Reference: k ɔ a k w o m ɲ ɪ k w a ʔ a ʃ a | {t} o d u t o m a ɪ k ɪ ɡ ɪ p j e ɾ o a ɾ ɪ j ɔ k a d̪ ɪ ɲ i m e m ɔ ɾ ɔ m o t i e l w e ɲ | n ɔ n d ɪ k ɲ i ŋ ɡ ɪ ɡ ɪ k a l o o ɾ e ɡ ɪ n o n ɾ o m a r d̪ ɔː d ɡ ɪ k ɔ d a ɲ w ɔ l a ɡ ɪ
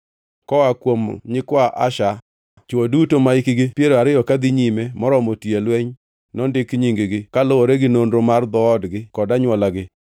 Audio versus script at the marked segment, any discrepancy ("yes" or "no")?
yes